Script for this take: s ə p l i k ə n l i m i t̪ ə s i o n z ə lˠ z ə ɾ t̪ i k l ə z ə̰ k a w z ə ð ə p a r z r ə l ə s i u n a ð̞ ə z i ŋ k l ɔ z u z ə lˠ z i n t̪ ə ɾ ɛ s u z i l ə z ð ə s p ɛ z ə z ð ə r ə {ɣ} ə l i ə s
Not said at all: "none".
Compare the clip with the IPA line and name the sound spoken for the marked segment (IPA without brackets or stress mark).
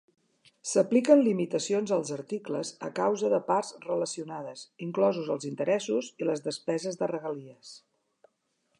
ɣ